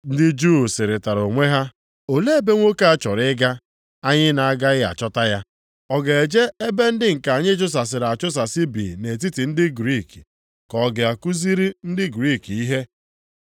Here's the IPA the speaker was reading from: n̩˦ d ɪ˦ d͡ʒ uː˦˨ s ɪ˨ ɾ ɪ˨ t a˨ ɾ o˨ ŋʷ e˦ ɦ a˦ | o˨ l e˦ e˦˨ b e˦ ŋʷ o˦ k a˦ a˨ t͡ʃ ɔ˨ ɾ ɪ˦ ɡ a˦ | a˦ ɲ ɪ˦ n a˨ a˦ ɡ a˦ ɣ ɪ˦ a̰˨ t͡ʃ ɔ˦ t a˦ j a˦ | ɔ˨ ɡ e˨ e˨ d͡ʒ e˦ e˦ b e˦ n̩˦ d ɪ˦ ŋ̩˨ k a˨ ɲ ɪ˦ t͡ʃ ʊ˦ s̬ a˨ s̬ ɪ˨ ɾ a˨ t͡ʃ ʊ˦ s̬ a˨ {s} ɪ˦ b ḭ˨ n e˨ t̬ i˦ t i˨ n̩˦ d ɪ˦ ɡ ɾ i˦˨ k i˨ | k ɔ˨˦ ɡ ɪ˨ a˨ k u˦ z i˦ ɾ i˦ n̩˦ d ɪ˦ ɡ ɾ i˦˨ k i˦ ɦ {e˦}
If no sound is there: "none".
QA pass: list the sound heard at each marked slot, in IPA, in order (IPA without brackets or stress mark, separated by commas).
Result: s, e˦